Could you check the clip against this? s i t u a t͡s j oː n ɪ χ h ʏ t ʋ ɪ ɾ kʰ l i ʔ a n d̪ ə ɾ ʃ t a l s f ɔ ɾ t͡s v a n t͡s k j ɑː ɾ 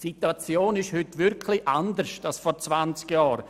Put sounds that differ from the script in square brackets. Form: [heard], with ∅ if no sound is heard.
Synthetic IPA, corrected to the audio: s i t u a t͡s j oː n ɪ [ʃ] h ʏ t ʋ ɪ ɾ kʰ l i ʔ a n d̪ ə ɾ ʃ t a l s f ɔ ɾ t͡s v a n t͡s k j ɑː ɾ